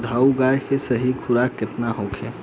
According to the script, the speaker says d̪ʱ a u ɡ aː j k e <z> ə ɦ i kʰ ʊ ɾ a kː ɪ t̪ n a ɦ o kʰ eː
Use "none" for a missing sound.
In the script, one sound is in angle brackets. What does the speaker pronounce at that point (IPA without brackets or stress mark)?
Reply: s